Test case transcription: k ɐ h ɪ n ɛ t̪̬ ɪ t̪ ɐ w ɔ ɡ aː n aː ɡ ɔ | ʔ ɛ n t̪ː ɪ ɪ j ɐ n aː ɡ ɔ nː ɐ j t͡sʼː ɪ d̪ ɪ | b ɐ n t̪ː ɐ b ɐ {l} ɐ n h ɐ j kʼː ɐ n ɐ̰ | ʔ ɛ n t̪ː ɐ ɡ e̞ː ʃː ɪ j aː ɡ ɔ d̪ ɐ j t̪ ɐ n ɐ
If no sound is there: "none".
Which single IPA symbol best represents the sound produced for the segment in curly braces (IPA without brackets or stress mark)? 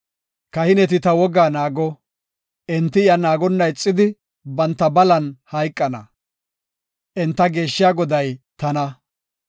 l